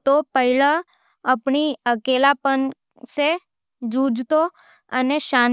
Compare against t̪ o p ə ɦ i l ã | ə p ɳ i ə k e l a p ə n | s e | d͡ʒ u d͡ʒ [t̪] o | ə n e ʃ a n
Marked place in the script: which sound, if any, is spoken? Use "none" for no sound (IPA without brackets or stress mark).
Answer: t̪